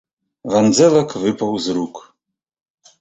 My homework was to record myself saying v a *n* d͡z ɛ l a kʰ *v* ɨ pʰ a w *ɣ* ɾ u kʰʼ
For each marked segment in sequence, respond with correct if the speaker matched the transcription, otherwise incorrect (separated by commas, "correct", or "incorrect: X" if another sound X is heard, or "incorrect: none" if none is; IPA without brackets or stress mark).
correct, correct, incorrect: z